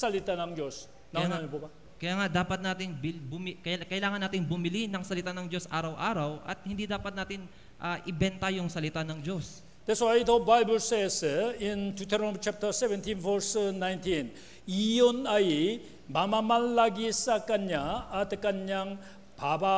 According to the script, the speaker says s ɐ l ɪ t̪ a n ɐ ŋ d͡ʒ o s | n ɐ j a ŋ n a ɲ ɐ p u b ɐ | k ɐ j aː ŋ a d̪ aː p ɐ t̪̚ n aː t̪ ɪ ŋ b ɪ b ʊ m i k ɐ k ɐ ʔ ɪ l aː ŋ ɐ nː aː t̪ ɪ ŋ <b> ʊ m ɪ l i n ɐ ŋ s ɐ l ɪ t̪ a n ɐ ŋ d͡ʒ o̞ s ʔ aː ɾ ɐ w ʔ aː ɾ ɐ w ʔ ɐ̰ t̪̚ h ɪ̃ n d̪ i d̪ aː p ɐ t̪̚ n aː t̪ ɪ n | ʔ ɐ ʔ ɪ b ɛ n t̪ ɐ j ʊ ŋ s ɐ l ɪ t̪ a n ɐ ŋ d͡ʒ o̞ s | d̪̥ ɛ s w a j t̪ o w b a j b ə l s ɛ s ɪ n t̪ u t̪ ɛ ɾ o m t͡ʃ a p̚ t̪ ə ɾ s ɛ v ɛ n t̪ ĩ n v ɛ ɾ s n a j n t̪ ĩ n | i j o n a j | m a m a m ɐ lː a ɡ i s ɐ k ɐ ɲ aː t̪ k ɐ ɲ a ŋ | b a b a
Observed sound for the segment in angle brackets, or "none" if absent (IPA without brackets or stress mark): b